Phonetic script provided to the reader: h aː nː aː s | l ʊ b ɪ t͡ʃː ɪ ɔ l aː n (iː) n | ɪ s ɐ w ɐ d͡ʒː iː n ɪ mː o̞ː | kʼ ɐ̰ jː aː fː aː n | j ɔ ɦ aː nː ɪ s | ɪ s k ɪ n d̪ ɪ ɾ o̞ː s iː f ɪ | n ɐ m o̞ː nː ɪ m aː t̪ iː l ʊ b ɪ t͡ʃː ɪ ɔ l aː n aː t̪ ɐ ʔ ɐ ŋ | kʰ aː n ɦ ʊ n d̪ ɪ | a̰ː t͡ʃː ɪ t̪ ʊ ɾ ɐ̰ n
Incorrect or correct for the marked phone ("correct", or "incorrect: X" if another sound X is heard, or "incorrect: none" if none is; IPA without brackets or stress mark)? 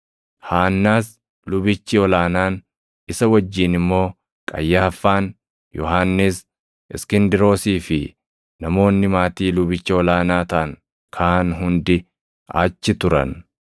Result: incorrect: aː